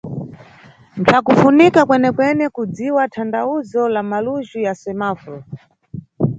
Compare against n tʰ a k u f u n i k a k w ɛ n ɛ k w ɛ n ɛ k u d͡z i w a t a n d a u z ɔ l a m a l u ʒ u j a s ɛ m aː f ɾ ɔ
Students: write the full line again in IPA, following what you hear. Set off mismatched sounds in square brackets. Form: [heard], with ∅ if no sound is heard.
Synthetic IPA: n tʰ a k u f u n i k a k w ɛ n ɛ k w ɛ n ɛ k u d͡z i w a [tʰ] a n d a u z ɔ l a m a l u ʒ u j a s ɛ m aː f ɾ ɔ